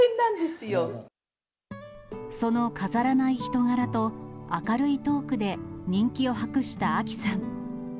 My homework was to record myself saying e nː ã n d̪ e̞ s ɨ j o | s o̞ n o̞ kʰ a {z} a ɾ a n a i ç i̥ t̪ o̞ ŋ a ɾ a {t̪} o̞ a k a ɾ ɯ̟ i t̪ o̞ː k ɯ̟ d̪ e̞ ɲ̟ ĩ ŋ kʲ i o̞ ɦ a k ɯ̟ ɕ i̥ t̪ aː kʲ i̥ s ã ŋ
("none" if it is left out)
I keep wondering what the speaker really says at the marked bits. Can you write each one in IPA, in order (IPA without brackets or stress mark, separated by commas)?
z, t̪